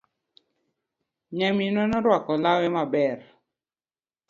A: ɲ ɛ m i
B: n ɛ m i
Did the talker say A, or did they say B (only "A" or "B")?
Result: A